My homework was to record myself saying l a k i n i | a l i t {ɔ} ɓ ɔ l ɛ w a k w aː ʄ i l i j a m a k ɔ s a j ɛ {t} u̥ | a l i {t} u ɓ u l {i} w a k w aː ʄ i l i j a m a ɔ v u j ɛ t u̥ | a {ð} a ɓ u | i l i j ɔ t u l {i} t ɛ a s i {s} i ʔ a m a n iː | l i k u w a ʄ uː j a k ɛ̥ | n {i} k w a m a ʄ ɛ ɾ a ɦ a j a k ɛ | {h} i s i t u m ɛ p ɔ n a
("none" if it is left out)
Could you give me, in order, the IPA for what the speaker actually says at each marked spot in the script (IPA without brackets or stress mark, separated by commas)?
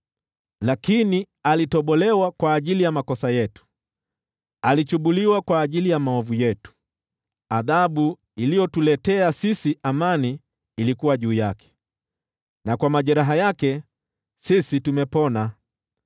ɔ, t, t͡ʃ, i, ð, ɛ, s, a, s